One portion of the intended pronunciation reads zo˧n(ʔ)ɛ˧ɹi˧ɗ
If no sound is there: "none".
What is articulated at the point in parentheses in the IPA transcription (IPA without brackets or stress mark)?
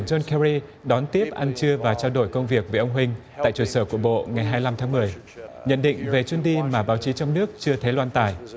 k